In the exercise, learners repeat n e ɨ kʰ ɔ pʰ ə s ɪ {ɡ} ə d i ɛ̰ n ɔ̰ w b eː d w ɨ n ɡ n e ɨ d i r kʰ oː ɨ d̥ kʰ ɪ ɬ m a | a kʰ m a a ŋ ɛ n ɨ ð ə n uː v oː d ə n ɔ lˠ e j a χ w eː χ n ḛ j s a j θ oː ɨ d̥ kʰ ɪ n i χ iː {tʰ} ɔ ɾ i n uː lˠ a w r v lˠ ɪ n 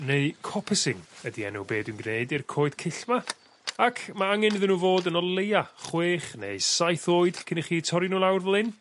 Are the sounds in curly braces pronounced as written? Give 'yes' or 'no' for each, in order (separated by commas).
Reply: no, yes